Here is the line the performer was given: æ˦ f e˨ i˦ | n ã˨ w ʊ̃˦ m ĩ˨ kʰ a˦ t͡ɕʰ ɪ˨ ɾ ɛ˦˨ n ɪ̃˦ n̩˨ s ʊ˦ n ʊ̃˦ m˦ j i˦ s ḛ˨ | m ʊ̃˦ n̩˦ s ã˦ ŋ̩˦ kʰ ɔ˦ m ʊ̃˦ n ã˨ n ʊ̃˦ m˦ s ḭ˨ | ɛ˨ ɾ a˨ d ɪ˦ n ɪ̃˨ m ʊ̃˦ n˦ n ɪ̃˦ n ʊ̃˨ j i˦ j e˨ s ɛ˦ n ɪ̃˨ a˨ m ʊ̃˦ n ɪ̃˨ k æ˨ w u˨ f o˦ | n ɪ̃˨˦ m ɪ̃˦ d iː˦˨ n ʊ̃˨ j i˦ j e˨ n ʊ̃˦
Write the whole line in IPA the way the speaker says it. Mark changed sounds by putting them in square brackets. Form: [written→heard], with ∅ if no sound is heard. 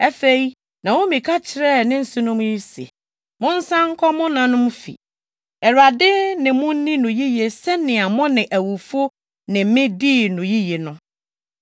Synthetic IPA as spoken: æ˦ f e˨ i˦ | n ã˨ w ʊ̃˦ m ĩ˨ kʰ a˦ t͡ɕʰ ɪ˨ ɾ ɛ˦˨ n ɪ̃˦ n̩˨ s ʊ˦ n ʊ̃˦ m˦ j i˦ s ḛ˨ | m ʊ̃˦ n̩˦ s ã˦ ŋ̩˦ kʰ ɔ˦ m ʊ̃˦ n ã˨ n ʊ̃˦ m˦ [s→f] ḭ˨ | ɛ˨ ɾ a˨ d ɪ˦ n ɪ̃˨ m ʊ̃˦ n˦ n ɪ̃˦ n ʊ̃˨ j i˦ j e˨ s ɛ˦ n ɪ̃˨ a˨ m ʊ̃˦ n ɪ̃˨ [k→ʔ] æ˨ w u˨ f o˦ | n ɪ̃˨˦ m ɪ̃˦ d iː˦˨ n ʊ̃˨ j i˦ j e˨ n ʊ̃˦